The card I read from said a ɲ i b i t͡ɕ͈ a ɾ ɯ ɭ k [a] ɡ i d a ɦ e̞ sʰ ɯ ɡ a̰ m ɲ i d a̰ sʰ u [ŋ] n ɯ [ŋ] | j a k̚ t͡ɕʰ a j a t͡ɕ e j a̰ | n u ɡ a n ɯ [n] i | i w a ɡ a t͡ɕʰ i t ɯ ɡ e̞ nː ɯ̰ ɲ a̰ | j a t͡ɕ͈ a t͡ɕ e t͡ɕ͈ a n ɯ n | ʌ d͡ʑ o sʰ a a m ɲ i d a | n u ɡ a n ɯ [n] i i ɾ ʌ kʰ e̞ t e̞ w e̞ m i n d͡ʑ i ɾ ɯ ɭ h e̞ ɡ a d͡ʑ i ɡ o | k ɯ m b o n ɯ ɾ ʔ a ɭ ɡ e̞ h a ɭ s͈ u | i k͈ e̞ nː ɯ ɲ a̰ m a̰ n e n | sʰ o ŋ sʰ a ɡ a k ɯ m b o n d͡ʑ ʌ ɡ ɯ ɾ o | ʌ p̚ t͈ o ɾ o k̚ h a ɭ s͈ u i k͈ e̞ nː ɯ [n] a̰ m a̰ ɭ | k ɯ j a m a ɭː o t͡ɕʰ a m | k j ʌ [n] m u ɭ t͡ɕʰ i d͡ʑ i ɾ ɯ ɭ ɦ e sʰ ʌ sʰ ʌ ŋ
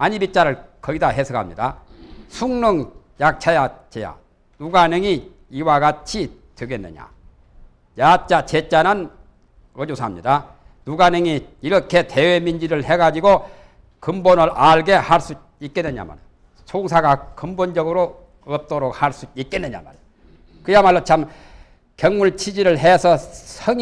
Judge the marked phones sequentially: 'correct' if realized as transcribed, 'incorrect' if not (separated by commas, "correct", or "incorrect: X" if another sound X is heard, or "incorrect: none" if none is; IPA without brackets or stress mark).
incorrect: ʌ, correct, correct, incorrect: ŋ, incorrect: ŋ, incorrect: ɲ, incorrect: ŋ